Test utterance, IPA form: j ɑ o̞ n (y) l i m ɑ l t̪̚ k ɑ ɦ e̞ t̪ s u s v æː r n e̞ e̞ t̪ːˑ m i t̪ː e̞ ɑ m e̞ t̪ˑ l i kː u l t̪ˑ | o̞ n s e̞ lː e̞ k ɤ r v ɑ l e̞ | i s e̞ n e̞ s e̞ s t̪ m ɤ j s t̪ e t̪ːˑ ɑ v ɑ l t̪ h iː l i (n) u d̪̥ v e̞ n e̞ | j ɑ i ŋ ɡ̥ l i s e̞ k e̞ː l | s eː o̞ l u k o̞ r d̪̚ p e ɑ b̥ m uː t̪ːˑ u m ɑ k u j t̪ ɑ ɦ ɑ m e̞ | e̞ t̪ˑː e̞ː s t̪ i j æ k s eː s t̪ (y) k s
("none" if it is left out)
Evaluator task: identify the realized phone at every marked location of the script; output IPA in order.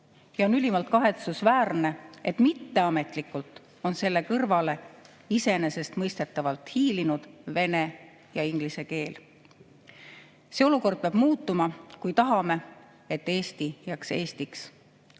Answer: y, n, i

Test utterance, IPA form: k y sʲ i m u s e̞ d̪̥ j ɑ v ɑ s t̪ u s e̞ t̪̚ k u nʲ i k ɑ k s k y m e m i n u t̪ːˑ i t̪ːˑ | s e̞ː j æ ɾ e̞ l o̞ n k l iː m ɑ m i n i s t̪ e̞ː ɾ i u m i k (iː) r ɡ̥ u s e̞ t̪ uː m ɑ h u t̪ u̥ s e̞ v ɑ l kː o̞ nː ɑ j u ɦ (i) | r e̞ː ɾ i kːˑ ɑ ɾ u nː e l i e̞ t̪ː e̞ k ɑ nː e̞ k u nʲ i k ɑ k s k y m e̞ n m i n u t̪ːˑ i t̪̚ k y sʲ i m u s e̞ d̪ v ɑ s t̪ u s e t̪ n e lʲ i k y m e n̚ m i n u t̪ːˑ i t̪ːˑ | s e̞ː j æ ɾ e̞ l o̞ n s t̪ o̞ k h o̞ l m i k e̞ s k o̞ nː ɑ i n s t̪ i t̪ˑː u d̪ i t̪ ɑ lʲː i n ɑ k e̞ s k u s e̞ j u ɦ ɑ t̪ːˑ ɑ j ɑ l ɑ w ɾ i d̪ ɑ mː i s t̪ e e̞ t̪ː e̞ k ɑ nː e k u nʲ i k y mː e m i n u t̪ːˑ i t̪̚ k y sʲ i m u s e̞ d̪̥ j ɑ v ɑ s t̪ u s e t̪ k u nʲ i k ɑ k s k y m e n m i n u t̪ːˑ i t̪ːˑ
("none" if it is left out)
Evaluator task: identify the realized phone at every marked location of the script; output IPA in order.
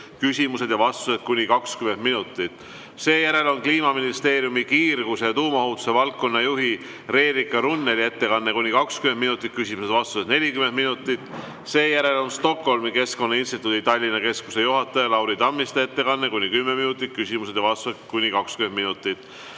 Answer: iː, i

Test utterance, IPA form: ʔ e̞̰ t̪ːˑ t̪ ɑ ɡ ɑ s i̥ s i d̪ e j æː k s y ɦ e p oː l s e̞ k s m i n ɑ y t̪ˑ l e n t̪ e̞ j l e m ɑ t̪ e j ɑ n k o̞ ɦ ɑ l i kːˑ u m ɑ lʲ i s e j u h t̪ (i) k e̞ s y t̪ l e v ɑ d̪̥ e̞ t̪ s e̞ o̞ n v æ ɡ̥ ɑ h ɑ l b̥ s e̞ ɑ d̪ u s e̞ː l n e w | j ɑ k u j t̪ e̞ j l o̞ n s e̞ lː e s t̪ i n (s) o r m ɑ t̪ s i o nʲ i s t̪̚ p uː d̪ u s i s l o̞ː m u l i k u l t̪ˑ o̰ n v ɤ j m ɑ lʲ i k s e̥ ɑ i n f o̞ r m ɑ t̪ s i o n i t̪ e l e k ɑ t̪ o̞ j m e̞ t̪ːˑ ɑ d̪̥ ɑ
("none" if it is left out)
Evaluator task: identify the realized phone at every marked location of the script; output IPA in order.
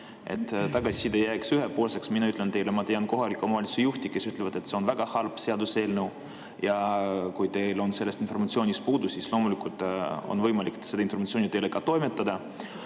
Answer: i, f

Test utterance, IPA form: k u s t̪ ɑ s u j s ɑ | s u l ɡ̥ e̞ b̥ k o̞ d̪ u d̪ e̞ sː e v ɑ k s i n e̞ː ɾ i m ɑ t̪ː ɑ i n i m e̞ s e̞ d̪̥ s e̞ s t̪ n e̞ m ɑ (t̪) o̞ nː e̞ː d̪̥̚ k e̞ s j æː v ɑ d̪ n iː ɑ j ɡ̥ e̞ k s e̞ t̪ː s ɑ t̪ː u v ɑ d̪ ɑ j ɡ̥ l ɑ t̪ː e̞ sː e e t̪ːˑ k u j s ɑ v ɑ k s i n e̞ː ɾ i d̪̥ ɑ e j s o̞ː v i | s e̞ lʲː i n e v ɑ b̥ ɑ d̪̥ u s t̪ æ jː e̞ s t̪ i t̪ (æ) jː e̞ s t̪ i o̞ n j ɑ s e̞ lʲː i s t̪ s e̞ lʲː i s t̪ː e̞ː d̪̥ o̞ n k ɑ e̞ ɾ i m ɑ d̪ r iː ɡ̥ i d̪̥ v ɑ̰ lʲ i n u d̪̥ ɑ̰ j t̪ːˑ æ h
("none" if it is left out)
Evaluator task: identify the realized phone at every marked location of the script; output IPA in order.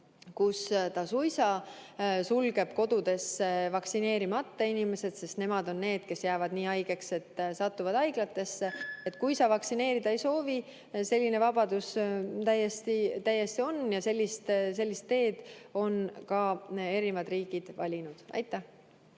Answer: d̪, æ

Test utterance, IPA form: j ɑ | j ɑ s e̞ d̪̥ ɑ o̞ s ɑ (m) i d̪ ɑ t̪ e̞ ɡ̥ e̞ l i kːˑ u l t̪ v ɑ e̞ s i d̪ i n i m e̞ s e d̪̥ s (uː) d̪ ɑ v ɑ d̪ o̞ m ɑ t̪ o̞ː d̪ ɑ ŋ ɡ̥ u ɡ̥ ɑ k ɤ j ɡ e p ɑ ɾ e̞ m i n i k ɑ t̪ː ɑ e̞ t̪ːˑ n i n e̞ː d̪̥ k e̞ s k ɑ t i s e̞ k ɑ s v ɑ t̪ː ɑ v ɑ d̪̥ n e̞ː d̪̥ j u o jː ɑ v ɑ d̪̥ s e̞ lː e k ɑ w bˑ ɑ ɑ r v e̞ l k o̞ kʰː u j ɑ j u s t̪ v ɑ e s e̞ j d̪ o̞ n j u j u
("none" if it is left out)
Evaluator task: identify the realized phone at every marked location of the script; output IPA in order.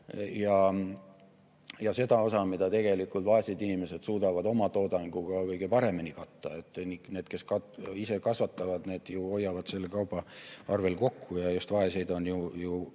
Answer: m, uː

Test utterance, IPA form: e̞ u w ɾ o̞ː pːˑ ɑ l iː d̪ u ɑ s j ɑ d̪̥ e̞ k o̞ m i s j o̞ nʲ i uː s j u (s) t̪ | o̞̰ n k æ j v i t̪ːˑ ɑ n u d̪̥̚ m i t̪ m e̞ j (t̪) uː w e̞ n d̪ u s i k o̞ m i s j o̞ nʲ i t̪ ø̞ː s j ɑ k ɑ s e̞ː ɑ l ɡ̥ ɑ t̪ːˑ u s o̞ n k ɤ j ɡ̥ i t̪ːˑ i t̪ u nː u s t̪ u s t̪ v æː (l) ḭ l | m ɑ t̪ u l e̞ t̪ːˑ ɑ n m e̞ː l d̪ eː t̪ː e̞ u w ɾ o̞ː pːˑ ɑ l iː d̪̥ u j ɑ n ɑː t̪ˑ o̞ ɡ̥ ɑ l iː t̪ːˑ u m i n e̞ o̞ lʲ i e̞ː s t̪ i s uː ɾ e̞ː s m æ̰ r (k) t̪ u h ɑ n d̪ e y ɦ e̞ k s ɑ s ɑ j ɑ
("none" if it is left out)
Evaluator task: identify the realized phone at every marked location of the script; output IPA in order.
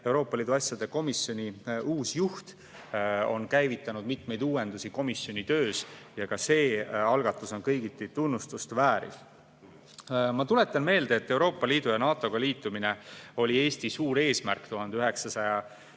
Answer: h, d̪, ɾ, k

